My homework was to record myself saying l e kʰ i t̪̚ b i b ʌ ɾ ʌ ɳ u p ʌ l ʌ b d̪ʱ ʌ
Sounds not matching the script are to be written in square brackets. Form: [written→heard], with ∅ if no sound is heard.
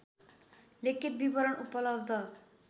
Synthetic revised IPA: l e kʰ i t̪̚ b i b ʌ ɾ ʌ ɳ u p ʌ l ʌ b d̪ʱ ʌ